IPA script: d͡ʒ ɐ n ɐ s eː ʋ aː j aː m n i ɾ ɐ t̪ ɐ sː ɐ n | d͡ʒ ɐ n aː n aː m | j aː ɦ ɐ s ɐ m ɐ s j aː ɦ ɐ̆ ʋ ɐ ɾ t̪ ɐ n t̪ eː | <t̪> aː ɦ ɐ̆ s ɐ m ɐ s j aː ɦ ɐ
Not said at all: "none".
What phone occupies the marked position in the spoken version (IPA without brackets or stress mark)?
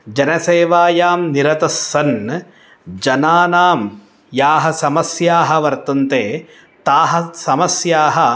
t̪